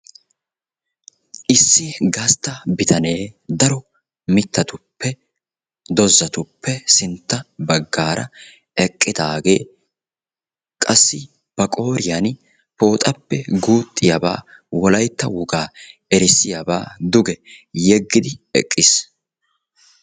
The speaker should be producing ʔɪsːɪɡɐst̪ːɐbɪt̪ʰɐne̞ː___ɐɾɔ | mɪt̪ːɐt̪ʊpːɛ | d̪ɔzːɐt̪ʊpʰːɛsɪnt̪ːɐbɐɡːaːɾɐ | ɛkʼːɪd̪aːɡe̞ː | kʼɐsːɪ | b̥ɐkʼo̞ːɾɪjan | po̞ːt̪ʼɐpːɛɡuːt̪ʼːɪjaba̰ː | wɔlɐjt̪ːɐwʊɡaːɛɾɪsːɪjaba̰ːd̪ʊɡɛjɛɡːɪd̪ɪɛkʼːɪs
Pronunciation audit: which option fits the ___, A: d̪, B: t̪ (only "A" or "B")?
A